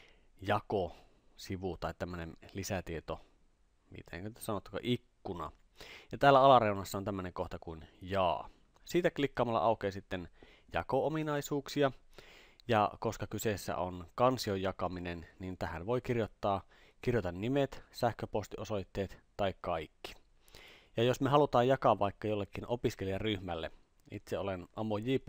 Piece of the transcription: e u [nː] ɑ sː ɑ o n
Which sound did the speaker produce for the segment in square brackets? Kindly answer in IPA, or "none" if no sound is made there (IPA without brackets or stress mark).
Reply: n